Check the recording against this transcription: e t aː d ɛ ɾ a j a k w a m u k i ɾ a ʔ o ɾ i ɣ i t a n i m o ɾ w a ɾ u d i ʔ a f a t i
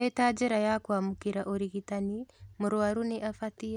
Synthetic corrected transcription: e t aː d͡ʒ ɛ ɾ a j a k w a m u k i ɾ a ʔ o ɾ i ɣ i t a n i m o ɾ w a ɾ u n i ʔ a f a t i